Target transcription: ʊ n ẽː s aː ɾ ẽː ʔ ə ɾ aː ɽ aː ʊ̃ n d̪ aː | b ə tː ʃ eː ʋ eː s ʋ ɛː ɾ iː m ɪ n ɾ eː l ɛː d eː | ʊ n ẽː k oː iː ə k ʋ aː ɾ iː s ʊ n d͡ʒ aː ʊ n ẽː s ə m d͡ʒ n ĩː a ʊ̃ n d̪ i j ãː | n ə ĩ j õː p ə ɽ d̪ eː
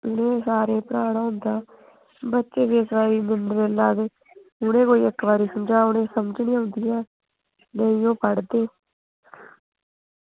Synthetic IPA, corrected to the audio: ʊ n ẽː s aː ɾ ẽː p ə ɾ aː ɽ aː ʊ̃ n d̪ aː | b ə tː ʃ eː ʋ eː s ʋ aː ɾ iː m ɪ n ɾ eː l aː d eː | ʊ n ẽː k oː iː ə k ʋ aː ɾ iː s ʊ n d͡ʒ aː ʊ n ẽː s ə m d͡ʒ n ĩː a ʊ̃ n d̪ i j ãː | n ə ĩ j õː p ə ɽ d̪ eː

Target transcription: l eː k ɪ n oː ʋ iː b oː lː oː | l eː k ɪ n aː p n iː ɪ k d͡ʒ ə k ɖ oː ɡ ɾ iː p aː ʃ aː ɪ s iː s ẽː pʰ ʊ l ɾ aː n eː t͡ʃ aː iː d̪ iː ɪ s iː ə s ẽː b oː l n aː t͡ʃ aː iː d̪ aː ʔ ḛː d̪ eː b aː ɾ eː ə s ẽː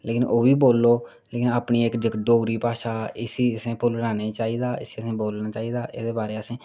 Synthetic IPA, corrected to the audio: l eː k ɪ n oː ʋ iː b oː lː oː | l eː k ɪ n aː p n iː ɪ k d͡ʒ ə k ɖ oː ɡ ɾ iː p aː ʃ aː ɪ s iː s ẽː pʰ ʊ l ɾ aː n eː t͡ʃ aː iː d̪ aː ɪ s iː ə s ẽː b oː l n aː t͡ʃ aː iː d̪ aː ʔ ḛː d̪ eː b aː ɾ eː ə s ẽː

